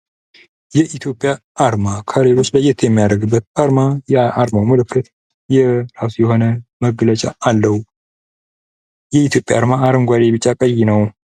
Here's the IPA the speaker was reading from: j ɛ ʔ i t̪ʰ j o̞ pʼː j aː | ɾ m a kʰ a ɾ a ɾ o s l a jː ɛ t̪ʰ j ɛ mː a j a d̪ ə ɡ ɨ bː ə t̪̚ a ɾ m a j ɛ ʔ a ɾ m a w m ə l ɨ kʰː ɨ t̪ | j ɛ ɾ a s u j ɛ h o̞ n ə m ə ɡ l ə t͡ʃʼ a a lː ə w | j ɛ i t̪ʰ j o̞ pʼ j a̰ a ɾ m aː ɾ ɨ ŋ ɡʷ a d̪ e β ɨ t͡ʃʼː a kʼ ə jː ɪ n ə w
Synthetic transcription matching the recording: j ɛ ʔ i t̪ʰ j o̞ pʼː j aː | ɾ m a kʰ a ɾ e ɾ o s l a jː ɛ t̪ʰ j ɛ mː i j a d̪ ə ɡ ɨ bː ə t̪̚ a ɾ m a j ɛ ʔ a ɾ m a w m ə l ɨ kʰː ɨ t̪ | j ɛ ɾ a s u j ɛ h o̞ n ə m ə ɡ l ə t͡ʃʼ a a lː ə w | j ɛ i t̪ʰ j o̞ pʼ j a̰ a ɾ m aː ɾ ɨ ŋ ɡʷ a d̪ e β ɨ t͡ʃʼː a kʼ ə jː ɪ n ə w